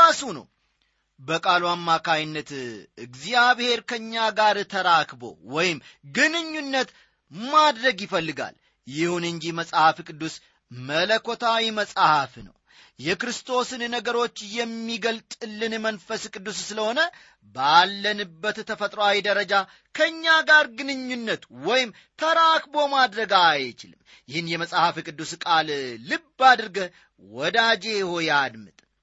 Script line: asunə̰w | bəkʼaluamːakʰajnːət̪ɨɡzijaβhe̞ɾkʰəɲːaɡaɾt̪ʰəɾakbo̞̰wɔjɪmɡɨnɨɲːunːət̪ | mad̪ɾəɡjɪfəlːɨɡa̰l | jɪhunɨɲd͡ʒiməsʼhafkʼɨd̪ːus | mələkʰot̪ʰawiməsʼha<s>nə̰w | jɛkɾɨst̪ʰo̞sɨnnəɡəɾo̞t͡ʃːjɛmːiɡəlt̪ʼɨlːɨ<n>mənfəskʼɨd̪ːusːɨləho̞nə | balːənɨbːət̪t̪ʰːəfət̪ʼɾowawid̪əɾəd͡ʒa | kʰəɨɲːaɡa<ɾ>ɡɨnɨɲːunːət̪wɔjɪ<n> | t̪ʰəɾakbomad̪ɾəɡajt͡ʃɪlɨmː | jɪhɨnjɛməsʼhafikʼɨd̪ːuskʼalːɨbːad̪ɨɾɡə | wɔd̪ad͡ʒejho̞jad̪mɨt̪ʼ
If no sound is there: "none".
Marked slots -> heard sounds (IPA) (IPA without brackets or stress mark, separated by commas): f, n, ɾ, m